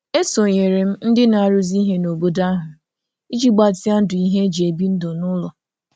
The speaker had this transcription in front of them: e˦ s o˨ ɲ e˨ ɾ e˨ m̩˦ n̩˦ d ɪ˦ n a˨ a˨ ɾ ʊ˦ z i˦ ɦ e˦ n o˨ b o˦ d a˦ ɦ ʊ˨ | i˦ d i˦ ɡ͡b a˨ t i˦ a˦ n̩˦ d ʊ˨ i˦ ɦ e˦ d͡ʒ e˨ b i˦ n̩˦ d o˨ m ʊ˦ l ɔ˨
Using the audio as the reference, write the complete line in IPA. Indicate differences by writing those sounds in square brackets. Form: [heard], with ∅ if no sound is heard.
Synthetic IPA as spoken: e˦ s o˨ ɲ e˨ ɾ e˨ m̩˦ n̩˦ d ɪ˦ n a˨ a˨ ɾ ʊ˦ z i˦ ɦ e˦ n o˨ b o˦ d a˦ ɦ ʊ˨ | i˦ [d͡ʒ] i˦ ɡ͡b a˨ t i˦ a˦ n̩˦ d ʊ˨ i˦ ɦ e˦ d͡ʒ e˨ b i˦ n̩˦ d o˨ [n] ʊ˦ l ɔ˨

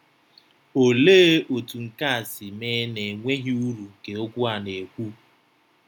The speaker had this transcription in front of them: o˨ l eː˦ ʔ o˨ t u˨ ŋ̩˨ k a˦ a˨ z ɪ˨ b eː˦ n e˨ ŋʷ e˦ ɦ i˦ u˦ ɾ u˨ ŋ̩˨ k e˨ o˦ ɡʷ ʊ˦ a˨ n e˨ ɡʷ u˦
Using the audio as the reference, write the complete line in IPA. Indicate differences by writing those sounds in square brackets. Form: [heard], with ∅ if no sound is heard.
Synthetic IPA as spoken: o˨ l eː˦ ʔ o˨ t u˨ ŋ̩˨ k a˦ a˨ [s] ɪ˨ [m] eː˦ n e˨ ŋʷ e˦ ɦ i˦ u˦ ɾ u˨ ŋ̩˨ k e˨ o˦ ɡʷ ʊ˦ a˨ n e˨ [kʷ] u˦

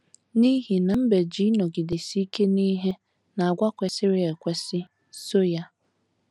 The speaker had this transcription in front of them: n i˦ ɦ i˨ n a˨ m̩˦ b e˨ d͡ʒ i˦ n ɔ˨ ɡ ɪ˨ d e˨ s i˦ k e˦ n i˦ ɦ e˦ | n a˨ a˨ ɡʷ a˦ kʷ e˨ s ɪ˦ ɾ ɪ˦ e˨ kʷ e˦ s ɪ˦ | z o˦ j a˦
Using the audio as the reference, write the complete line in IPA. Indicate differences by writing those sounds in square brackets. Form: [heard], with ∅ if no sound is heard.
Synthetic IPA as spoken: n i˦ ɦ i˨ n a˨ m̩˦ b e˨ d͡ʒ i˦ n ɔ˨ ɡ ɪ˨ d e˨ s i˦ k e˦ n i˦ ɦ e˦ | n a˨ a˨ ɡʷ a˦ kʷ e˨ s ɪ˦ ɾ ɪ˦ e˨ kʷ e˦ s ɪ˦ | [s] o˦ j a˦

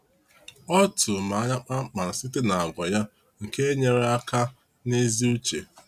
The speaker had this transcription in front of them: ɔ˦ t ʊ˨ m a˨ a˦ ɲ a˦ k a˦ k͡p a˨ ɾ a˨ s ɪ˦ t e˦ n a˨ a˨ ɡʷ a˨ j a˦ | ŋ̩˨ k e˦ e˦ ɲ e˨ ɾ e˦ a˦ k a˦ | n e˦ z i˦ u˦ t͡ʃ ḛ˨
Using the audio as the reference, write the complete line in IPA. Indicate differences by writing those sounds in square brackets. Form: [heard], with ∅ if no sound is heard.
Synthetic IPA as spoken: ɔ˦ t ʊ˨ m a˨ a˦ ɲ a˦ [k͡p] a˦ k͡p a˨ ɾ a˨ s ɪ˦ t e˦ n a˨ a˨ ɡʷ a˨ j a˦ | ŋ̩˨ k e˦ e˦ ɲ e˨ ɾ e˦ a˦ k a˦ | n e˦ z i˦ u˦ t͡ʃ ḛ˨

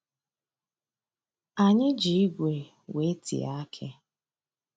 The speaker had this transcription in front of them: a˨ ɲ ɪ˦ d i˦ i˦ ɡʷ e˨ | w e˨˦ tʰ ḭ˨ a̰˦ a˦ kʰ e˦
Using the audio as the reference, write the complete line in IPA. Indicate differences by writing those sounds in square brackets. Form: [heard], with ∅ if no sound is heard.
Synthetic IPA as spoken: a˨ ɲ ɪ˦ [d͡ʒ] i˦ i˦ ɡʷ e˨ | w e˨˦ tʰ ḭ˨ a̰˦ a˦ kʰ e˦

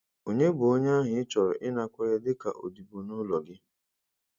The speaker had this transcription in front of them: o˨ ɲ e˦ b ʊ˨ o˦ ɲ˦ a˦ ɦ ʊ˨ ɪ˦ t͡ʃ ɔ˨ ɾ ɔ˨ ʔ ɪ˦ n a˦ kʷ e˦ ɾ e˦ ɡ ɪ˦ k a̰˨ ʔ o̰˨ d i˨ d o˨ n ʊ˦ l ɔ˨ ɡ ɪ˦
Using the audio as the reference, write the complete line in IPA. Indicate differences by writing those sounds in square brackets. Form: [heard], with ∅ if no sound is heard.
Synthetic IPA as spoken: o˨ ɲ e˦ b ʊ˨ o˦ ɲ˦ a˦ ɦ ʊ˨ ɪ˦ t͡ʃ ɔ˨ ɾ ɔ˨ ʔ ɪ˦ n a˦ kʷ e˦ ɾ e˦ [d] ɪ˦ k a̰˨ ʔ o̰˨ d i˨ [b] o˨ n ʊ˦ l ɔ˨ ɡ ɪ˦

